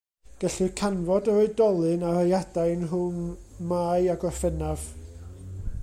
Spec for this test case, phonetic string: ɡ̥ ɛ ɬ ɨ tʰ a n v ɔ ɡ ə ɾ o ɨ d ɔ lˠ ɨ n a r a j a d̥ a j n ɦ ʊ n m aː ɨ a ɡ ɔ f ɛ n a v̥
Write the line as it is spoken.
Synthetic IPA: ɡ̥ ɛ ɬ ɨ kʰ a n v ɔ d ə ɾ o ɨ d ɔ lˠ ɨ n a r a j a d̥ a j n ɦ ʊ n m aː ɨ a ɡ ɔ f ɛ n a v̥